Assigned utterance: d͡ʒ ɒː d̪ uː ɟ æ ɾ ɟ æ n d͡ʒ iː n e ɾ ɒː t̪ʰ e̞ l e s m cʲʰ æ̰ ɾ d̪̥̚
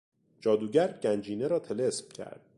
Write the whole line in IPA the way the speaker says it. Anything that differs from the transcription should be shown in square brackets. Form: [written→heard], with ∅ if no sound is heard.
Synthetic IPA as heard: d͡ʒ ɒː d̪ uː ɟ æ ɾ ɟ æ n d͡ʒ iː n e ɾ ɒː t̪ʰ e̞ l e s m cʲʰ æ̰ ɾ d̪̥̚